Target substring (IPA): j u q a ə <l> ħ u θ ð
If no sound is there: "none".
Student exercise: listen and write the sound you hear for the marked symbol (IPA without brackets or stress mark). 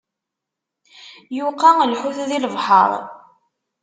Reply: l